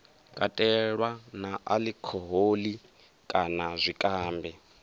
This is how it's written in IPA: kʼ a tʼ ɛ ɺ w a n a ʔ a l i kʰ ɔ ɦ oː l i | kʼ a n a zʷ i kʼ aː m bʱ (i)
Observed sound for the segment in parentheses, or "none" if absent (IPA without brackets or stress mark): ɛ